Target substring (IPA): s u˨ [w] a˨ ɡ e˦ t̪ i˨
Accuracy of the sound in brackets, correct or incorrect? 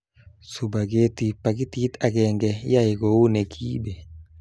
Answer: incorrect